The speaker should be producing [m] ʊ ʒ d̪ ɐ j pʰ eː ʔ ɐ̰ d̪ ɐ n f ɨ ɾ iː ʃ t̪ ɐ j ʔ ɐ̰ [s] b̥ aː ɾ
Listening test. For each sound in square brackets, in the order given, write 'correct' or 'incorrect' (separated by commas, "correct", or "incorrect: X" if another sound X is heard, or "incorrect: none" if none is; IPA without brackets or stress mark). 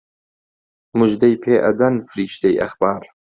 correct, incorrect: x